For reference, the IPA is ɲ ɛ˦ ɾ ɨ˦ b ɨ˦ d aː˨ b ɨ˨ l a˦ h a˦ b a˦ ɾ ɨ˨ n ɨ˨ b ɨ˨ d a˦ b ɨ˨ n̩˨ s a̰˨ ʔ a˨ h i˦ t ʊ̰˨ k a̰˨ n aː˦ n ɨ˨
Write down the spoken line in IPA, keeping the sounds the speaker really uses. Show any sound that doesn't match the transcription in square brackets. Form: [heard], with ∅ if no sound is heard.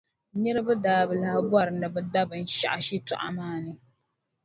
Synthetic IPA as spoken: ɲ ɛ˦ ɾ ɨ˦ b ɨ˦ d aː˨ b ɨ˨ l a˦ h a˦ b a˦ ɾ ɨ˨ n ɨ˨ b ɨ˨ d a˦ b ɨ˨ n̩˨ [ʃ] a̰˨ ʔ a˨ [ʃ] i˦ t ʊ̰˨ [ʔ] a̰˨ [m] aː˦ n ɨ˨